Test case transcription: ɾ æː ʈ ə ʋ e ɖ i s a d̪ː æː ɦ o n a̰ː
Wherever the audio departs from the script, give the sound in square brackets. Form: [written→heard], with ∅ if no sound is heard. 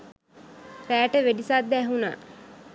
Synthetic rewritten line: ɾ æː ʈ ə ʋ e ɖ i s a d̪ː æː ɦ [o→u] n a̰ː